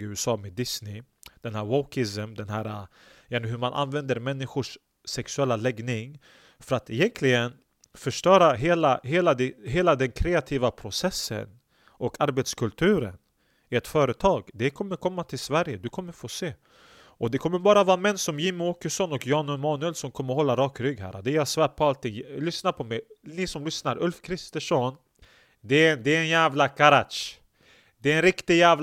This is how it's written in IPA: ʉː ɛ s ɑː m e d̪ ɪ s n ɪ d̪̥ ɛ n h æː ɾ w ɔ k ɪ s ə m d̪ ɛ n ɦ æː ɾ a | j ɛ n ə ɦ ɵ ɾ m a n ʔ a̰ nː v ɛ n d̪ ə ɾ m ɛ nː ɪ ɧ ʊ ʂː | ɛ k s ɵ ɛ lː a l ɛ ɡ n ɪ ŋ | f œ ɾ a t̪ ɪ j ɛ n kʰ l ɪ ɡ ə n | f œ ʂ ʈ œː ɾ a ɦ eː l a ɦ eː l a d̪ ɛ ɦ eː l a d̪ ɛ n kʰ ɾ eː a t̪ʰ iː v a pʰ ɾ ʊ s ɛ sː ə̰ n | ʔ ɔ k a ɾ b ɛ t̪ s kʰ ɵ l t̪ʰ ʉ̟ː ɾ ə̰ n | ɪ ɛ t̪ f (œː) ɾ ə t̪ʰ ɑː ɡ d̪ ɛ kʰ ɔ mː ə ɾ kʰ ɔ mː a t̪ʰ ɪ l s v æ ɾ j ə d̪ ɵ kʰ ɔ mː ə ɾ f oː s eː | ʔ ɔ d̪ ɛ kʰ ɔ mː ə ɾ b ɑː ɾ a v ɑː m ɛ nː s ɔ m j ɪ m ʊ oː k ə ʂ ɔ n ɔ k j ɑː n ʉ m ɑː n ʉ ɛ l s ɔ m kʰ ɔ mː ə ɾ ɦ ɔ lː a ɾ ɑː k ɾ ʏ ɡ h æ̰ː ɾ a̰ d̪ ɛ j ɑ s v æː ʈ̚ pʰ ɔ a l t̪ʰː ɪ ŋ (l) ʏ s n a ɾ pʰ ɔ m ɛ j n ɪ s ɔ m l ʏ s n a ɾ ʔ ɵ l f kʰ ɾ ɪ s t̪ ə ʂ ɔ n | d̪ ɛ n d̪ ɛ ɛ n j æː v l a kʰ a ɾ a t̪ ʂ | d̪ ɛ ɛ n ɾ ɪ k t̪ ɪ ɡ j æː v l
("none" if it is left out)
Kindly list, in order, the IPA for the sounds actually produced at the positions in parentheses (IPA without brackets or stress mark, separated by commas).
œː, l